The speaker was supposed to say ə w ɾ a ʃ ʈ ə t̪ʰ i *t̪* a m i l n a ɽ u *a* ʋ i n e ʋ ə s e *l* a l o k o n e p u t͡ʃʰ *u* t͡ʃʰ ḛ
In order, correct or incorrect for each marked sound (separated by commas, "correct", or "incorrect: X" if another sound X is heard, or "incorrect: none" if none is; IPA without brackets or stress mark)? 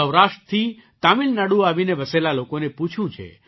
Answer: correct, correct, correct, incorrect: ũ